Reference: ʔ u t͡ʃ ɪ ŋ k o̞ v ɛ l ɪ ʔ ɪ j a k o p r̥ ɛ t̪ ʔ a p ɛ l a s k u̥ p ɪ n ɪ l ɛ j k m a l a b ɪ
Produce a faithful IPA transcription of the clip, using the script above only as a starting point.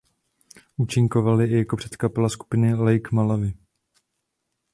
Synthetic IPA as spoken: ʔ u t͡ʃ ɪ ŋ k o̞ v a l ɪ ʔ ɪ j a k o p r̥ ɛ t̪ k a p ɛ l a s k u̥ p ɪ n ɪ l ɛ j k m a l a v ɪ